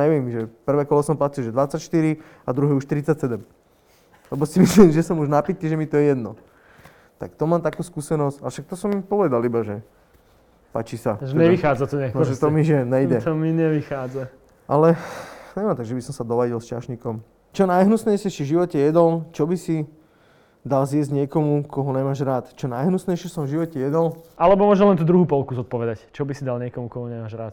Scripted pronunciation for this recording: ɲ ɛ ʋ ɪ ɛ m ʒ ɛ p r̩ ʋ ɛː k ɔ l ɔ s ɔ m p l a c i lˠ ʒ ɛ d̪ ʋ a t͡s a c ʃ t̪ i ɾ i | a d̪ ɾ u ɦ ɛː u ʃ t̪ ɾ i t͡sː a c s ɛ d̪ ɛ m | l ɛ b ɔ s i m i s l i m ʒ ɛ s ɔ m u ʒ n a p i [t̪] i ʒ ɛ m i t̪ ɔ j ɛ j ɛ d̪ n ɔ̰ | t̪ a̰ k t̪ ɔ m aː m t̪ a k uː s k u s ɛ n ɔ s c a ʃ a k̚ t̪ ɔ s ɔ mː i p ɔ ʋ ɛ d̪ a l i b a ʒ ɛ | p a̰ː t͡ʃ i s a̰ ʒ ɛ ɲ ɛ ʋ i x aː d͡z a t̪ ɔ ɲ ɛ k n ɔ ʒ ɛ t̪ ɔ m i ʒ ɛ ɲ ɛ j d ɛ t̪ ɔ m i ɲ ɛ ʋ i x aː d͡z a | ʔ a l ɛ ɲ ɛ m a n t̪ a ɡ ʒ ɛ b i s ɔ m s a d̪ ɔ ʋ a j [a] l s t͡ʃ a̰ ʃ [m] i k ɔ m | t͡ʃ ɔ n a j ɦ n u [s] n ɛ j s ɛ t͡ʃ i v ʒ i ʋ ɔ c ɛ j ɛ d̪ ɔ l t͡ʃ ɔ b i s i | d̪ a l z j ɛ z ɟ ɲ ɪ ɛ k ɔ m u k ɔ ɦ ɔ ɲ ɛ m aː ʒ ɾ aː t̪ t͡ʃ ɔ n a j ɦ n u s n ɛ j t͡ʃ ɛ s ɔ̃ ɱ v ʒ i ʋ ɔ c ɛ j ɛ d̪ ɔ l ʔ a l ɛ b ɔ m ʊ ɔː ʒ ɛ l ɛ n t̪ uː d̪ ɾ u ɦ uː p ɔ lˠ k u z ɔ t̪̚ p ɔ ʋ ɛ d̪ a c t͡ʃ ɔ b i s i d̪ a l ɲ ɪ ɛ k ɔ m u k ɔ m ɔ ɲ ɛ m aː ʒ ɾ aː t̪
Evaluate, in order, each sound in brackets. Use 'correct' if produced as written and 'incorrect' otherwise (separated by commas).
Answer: correct, incorrect, incorrect, correct